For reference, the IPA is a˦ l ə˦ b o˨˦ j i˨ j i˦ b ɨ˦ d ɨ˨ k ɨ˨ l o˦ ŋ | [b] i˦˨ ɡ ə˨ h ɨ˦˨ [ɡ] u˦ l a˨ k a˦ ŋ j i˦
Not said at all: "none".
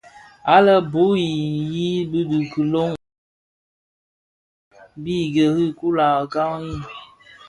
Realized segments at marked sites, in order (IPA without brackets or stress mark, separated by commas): b, k